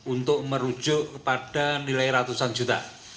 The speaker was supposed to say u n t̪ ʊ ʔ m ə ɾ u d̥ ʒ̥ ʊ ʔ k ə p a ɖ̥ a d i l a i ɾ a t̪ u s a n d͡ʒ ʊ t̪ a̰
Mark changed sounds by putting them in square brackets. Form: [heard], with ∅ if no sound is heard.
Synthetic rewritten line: u n t̪ ʊ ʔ m ə ɾ u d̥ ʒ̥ ʊ ʔ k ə p a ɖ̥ a [n] i l a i ɾ a t̪ u s a n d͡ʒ [u] t̪ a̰